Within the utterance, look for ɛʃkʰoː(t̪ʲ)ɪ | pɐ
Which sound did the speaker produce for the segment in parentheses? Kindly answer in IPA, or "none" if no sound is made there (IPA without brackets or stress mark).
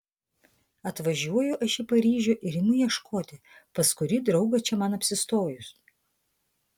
t̪ʲ